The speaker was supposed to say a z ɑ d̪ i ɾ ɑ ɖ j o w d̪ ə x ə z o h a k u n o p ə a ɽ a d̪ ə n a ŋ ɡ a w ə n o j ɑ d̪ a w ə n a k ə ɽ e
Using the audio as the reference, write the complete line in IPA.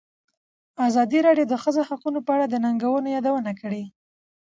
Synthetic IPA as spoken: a z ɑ d̪ i ɾ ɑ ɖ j o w d̪ ə x ə z o h a q u n o p ə a ɽ a d̪ ə n a ŋ ɡ a w ə n o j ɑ d̪ a w ə n a k ə ɽ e